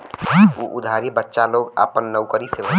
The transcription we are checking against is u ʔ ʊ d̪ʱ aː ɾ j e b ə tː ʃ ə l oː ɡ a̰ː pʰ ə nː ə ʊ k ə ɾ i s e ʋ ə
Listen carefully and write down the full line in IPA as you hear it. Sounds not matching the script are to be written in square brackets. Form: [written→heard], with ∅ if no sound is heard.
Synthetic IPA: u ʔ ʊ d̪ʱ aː ɾ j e b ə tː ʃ [ə→a] l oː ɡ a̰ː [pʰ→p] ə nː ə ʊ k ə ɾ i s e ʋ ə